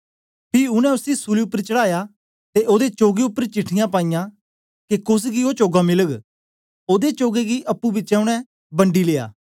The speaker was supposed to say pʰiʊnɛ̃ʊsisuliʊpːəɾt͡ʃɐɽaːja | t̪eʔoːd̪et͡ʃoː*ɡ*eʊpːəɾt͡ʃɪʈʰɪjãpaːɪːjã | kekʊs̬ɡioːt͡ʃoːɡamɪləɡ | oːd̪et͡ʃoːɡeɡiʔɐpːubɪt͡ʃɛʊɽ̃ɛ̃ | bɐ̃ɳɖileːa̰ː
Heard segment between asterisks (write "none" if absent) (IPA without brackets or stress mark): ɡ